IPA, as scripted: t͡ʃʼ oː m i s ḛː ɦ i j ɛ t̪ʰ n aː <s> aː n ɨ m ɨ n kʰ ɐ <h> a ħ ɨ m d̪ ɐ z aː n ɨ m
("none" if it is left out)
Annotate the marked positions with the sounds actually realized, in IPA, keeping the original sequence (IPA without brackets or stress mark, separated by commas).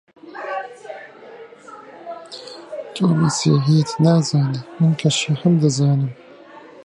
z, ʃ